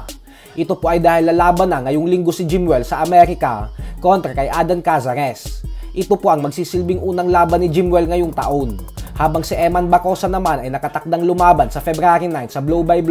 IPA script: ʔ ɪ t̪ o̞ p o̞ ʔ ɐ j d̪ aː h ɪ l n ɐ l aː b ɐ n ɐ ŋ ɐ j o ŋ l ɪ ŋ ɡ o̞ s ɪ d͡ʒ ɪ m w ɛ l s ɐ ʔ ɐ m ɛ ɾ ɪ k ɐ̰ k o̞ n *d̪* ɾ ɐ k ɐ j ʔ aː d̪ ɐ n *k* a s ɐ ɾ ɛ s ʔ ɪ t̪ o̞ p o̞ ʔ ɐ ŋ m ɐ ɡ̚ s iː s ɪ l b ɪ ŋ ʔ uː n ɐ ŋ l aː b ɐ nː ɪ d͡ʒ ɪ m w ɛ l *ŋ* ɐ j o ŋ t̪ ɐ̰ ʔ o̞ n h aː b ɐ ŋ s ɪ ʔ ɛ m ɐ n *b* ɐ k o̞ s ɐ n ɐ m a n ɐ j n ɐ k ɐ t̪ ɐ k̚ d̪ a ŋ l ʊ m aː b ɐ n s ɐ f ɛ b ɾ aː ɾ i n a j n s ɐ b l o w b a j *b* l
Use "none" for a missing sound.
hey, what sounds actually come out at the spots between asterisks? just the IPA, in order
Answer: t̪, k, ŋ, b, b

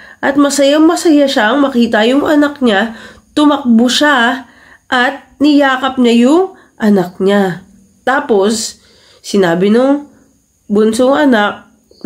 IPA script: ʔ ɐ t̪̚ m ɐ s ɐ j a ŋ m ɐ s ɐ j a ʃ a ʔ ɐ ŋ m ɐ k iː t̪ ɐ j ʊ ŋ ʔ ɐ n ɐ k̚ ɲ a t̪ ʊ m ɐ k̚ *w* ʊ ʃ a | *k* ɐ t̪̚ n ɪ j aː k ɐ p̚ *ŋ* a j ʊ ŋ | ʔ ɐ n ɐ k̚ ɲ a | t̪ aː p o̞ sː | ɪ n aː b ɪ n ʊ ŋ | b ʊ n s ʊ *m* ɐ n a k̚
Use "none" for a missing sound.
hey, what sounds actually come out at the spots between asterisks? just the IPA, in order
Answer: b, ʔ, ɲ, ŋ

